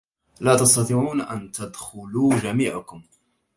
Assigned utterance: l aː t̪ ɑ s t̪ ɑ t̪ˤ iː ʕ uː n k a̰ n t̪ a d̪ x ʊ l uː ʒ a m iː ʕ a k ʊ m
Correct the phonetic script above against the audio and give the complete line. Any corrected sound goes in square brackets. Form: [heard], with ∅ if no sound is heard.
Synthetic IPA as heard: l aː t̪ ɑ s t̪ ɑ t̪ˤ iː ʕ uː n [ʔ] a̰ n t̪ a d̪ x ʊ l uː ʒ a m iː ʕ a k ʊ m